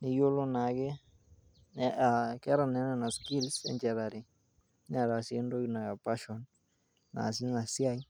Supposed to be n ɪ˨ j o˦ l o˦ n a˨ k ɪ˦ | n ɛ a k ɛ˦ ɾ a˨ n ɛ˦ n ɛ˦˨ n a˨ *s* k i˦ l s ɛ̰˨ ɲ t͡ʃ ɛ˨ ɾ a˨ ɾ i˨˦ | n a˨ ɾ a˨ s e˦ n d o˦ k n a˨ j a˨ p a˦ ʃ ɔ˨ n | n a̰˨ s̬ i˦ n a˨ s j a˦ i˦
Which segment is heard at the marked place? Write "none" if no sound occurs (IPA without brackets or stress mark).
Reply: s